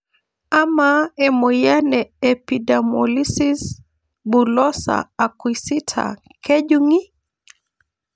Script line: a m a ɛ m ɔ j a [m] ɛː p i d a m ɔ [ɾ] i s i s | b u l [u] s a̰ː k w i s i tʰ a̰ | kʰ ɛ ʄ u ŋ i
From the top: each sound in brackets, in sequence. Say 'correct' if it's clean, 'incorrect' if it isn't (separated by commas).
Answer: incorrect, incorrect, incorrect